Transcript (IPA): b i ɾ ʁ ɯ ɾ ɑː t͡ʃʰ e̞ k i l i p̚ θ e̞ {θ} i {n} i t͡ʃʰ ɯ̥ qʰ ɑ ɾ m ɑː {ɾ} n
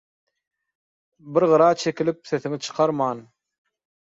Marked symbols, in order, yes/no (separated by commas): yes, no, no